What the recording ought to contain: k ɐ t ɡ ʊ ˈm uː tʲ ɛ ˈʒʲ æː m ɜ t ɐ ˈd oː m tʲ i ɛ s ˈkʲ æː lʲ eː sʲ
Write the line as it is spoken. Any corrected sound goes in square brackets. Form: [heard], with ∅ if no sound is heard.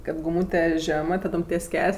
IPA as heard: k ɐ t ɡ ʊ ˈm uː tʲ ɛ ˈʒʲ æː m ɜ t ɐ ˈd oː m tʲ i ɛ s ˈkʲ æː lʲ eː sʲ

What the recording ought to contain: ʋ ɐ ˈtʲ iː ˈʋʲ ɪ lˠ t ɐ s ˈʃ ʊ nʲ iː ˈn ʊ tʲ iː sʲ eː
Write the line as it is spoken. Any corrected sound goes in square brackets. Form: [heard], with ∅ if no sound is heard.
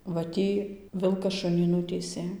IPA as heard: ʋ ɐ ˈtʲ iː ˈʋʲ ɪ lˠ [k] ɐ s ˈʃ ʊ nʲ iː ˈn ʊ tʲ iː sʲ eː

